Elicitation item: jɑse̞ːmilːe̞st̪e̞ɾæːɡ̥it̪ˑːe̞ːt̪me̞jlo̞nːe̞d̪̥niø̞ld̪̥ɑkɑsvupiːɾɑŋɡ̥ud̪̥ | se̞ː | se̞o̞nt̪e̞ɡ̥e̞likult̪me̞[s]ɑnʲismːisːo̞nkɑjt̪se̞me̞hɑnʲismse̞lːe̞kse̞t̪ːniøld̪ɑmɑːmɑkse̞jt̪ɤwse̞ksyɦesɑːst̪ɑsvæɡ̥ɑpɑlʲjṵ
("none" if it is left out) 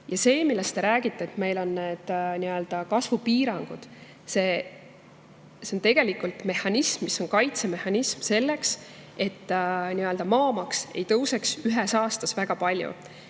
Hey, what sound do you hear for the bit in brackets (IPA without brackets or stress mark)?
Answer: h